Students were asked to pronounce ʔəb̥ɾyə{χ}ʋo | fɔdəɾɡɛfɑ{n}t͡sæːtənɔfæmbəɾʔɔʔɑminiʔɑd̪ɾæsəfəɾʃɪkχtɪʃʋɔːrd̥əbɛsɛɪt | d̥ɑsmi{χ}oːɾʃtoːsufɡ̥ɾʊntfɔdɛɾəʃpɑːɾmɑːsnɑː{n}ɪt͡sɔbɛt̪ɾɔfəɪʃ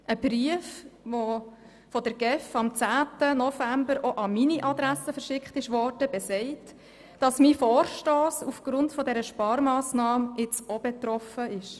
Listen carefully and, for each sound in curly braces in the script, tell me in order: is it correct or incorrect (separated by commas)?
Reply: incorrect, incorrect, incorrect, incorrect